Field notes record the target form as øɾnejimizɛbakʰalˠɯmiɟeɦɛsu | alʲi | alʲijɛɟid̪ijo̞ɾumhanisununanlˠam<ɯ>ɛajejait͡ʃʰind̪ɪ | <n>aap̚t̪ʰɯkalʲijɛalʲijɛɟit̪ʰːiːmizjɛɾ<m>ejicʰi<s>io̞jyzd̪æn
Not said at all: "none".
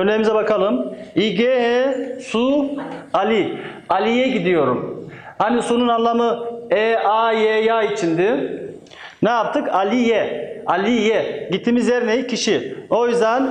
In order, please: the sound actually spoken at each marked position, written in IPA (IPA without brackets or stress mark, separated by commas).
ɯ, n, n, ʃ